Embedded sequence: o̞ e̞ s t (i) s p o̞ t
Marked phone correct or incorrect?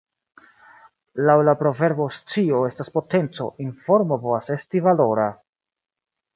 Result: incorrect: a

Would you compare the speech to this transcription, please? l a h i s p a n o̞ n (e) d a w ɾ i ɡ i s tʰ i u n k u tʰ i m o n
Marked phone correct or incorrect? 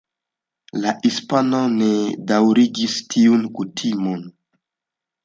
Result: correct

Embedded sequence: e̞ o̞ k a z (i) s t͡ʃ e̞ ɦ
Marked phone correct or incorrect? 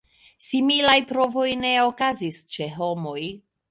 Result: correct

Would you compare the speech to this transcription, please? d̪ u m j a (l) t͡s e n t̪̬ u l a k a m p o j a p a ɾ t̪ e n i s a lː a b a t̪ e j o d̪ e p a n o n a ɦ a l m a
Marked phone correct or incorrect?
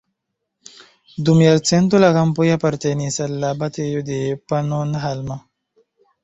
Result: correct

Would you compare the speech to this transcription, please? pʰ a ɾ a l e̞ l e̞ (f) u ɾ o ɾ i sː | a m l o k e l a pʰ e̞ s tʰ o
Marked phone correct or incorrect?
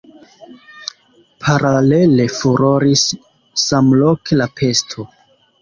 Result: correct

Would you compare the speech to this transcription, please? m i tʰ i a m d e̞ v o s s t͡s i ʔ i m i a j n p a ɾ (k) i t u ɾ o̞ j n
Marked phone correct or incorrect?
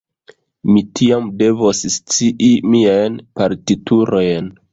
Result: incorrect: t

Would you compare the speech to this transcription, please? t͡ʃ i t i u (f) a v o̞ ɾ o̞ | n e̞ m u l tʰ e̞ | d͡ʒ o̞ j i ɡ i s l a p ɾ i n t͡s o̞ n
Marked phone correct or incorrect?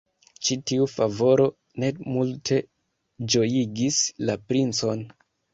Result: correct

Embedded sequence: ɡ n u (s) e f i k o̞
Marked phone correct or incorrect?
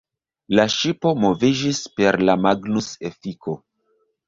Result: correct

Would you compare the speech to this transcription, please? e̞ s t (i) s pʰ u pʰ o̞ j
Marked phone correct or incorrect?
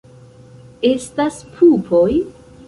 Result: incorrect: a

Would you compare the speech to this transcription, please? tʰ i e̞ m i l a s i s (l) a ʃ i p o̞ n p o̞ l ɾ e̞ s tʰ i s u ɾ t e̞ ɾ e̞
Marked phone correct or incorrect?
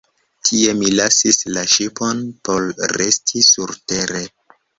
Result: correct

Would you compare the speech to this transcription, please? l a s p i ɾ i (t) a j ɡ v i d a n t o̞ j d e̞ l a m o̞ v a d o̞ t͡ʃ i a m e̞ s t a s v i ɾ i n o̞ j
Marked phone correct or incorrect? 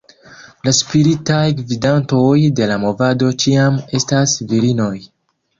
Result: correct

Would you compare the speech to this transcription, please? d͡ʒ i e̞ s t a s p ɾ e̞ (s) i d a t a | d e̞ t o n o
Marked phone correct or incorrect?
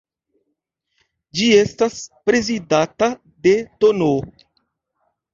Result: incorrect: z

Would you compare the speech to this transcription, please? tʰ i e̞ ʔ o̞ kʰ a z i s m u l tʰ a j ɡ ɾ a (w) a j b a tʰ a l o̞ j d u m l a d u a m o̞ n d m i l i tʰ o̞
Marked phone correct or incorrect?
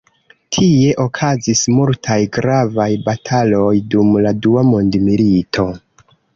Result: incorrect: v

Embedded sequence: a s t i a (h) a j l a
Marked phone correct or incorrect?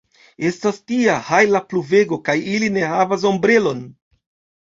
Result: correct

